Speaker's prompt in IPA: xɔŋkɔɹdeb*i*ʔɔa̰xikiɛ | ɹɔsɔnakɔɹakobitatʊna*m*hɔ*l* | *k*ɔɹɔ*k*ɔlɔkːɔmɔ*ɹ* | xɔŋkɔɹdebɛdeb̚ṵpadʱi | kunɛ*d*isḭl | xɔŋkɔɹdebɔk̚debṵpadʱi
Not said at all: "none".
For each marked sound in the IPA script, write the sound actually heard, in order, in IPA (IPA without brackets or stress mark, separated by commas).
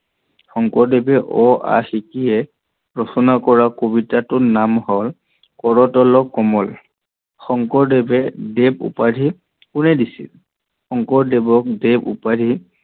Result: ɛ, m, l, k, t, l, d